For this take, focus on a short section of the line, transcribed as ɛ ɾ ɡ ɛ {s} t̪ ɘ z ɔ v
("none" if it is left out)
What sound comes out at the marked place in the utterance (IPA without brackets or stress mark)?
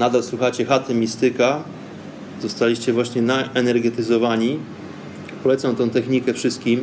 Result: none